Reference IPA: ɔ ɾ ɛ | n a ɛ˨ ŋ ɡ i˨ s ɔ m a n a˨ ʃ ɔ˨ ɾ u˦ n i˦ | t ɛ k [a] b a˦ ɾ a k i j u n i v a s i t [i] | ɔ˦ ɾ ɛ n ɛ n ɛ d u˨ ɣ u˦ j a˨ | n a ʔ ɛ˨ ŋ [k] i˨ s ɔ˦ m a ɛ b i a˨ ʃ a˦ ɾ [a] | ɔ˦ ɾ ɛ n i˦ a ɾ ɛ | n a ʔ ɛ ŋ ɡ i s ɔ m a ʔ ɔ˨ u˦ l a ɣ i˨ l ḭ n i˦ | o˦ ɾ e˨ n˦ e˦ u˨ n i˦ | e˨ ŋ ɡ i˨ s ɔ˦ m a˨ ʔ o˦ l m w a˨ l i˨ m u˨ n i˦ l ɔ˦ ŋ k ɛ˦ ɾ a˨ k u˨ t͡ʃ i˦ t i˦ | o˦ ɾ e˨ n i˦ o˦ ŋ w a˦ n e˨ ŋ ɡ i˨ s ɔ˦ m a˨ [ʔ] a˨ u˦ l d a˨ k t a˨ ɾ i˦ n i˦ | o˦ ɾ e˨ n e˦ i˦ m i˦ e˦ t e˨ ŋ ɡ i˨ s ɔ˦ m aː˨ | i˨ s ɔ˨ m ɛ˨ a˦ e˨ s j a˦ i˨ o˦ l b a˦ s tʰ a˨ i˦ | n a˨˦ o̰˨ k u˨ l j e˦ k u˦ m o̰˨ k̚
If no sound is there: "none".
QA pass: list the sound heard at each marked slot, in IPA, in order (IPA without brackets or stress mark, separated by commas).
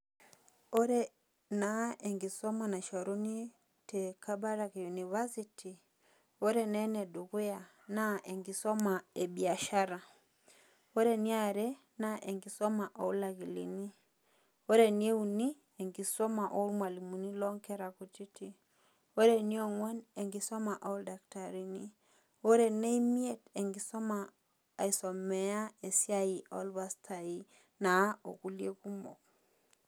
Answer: a, i, ɡ, a, ʔ